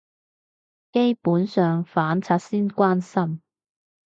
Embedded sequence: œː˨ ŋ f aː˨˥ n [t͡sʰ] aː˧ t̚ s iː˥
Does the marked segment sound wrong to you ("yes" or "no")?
no